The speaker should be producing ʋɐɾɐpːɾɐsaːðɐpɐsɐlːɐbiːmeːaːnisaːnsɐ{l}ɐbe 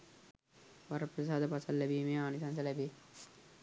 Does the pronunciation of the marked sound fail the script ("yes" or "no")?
no